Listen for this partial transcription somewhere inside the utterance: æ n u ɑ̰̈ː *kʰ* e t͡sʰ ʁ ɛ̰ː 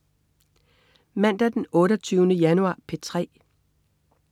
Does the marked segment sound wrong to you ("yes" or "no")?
yes